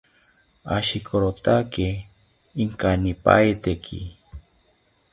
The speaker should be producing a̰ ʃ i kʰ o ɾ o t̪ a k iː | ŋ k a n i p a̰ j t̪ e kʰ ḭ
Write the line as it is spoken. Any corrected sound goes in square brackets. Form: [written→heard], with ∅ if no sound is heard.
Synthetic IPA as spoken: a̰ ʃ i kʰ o ɾ o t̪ a k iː | ŋ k a n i p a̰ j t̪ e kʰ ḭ